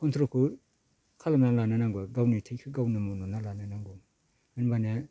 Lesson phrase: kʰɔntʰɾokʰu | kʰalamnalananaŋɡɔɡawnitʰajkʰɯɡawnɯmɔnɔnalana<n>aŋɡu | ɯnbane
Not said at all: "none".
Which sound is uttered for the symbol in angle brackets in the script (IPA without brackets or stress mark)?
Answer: n